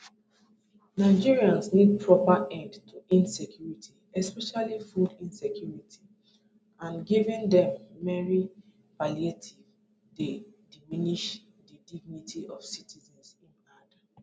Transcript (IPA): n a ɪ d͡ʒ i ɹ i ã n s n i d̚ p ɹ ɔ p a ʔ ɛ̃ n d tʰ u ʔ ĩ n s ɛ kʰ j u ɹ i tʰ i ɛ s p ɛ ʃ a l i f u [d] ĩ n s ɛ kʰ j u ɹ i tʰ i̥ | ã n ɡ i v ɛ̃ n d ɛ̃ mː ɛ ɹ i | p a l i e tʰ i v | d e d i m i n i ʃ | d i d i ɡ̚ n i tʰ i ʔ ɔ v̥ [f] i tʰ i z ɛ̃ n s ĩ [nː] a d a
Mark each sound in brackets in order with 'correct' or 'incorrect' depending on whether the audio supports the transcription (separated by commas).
correct, incorrect, incorrect